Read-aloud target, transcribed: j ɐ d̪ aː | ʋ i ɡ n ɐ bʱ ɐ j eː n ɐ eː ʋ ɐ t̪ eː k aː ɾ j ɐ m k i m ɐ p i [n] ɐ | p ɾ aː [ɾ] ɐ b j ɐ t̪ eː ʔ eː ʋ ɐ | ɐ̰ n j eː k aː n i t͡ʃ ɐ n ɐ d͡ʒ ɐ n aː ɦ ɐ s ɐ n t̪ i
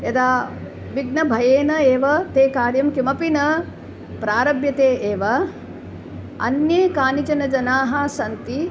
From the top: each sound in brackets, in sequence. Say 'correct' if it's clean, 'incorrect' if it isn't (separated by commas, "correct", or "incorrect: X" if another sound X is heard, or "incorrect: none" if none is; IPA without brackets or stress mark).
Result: correct, correct